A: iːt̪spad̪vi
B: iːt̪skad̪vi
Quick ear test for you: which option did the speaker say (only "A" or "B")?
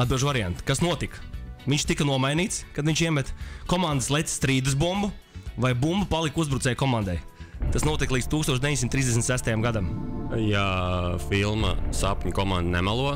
B